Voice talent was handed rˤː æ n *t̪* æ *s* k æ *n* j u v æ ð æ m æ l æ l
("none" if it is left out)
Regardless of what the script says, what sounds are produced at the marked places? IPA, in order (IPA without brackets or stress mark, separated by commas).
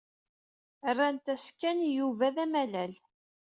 t̪, s, n